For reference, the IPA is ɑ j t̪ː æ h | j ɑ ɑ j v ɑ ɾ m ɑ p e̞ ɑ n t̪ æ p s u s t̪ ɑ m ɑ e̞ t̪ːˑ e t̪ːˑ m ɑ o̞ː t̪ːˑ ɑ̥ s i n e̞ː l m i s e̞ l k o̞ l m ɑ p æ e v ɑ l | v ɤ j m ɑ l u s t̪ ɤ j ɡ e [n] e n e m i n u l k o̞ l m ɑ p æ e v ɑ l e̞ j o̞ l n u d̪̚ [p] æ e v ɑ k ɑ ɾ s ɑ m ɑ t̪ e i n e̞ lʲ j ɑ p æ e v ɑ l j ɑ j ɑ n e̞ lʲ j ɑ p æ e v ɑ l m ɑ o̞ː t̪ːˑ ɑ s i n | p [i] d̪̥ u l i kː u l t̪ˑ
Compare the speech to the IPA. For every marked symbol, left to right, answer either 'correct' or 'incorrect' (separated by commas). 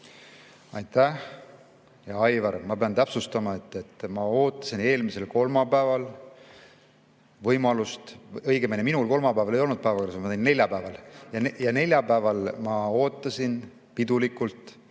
incorrect, correct, correct